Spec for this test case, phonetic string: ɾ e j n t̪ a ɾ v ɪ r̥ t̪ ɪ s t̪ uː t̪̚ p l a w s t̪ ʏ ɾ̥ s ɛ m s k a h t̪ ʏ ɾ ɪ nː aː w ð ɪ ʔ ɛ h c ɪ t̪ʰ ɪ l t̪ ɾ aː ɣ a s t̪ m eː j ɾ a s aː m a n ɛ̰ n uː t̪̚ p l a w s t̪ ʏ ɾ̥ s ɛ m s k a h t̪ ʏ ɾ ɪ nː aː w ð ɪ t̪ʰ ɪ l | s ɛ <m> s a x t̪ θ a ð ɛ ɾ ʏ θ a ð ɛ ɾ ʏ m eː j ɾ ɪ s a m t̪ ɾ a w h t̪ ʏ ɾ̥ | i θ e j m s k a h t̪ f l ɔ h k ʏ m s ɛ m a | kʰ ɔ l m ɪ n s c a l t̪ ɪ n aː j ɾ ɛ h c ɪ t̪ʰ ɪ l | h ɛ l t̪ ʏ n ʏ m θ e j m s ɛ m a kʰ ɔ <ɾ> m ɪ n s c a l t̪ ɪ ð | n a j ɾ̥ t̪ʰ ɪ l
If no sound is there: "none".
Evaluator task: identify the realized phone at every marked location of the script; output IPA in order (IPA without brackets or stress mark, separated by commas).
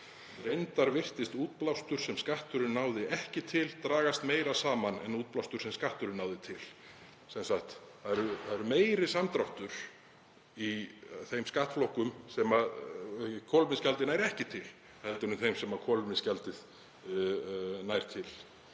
n, l